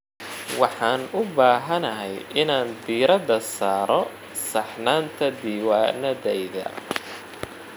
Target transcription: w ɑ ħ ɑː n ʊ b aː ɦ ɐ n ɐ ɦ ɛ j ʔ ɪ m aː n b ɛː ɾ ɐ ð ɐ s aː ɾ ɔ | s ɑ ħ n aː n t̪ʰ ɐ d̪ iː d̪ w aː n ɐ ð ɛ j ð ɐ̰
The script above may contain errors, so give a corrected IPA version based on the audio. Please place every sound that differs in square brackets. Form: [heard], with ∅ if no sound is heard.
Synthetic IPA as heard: w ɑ ħ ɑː n ʊ b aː ɦ ɐ n ɐ ɦ ɛ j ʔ ɪ [n] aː n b [iː] ɾ ɐ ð ɐ s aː ɾ ɔ | s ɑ ħ n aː n t̪ʰ ɐ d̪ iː [∅] w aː n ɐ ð ɛ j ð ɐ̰